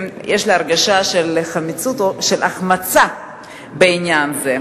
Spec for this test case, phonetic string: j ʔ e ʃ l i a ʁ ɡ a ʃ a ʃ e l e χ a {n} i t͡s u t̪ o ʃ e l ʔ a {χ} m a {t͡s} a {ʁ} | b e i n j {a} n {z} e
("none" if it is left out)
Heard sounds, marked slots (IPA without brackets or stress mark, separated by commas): m, χ, t͡s, none, a, z